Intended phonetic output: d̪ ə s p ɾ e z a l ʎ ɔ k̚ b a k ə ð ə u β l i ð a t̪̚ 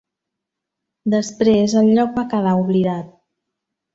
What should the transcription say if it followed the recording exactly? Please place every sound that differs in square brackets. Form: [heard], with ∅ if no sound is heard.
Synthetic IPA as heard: d̪ ə s p ɾ e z [ə] l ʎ ɔ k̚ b a k ə ð [a] u β l i ð a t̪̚